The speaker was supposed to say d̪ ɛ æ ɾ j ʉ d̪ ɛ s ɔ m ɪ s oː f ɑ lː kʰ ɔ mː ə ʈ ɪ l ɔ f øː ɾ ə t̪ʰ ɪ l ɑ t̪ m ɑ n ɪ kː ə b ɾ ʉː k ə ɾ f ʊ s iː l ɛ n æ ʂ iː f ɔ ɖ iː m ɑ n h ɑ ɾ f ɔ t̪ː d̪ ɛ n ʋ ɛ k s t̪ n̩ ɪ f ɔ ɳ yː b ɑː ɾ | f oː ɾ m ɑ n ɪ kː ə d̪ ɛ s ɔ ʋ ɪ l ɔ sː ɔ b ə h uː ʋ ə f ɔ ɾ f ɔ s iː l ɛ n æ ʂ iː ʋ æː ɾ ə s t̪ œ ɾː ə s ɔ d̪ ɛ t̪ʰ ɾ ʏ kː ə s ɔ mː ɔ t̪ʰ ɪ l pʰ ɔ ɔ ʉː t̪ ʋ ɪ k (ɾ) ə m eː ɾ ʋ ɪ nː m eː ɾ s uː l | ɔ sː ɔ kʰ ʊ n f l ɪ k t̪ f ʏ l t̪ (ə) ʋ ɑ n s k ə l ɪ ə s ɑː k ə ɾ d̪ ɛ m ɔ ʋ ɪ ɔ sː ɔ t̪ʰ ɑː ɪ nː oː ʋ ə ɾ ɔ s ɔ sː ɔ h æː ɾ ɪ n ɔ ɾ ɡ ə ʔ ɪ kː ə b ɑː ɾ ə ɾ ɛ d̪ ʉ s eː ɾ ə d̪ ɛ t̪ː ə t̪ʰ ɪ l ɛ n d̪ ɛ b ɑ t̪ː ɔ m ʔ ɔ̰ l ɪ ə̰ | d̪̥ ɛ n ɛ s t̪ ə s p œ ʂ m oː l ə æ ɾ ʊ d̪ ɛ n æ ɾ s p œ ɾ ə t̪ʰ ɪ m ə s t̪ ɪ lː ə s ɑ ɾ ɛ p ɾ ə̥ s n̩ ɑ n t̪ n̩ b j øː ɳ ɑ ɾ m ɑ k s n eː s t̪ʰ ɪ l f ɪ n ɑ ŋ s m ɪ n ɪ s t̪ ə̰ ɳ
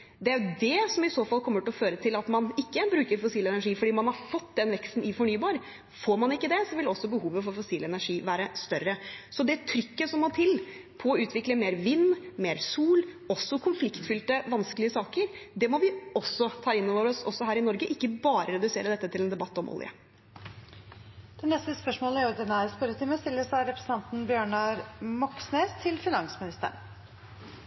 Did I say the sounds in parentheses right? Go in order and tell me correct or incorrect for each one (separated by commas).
incorrect, correct